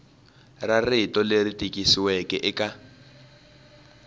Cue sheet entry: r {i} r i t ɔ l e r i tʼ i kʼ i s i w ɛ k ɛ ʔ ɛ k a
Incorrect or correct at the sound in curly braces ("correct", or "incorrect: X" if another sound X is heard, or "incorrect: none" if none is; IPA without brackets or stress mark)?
incorrect: a